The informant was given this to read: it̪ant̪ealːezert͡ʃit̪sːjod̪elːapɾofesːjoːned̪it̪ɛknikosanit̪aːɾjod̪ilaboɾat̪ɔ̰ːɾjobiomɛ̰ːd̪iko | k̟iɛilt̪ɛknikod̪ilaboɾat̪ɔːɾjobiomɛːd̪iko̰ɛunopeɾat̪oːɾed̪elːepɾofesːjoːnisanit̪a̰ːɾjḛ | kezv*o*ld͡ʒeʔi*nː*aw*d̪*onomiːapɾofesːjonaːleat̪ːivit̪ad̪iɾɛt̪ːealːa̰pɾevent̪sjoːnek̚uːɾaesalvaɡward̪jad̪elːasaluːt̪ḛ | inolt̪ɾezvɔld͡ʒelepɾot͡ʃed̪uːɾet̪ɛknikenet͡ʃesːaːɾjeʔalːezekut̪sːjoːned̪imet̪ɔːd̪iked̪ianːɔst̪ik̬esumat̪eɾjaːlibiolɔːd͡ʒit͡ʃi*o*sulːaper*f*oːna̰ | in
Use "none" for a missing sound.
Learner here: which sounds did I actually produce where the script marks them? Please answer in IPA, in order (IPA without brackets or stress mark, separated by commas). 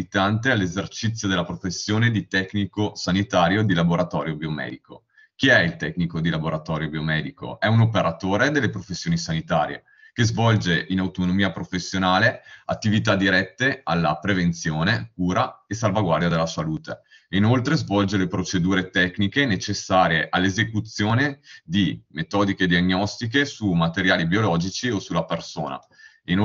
ɔ, n, t̪, o, s